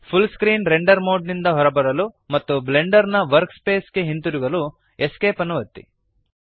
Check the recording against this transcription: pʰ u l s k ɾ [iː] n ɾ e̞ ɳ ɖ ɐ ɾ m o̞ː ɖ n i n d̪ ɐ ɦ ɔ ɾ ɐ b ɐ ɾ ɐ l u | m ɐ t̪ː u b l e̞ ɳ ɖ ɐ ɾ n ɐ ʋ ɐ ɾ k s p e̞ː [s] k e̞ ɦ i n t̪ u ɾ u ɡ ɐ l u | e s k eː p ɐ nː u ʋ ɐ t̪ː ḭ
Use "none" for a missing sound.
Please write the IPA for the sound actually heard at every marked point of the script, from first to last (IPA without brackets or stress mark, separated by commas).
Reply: iː, s